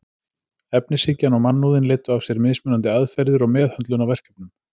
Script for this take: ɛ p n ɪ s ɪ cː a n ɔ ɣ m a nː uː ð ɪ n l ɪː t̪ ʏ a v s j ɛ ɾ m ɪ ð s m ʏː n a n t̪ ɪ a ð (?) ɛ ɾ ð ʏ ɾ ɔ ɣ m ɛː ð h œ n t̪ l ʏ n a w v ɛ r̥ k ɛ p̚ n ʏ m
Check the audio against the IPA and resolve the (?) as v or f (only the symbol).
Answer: f